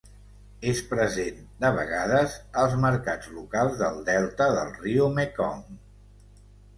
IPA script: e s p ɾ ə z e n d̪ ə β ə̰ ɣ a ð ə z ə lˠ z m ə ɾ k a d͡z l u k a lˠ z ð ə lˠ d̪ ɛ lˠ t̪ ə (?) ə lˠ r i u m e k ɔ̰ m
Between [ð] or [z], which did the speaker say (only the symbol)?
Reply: ð